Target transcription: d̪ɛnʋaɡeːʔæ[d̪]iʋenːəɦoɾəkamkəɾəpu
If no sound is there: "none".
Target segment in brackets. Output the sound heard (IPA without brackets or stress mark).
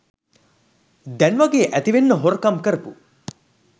t̪